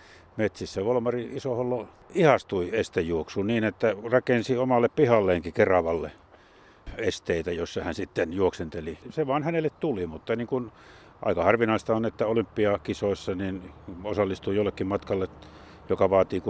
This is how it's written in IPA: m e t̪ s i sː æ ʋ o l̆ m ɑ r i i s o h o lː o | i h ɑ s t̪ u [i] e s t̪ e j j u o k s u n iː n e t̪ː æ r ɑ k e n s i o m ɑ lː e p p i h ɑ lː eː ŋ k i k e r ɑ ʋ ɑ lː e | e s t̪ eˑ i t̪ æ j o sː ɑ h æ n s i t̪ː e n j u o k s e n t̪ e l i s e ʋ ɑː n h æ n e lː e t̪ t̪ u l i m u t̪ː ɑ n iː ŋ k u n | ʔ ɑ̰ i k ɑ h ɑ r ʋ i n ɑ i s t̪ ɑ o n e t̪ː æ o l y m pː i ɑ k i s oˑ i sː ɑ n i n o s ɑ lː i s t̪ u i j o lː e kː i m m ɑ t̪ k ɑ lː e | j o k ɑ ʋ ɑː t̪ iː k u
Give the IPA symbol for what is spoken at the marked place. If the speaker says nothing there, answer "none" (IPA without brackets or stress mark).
i